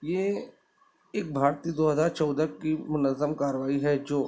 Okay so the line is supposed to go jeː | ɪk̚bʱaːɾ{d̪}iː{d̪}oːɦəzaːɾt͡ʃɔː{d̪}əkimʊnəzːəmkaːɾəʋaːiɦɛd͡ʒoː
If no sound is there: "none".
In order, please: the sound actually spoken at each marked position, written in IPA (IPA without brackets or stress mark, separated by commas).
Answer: t̪, d̪, d̪